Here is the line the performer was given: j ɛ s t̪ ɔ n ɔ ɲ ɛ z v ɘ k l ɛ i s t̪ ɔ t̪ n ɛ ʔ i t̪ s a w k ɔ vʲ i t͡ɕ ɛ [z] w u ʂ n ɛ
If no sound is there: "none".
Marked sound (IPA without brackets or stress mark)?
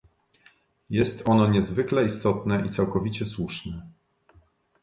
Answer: s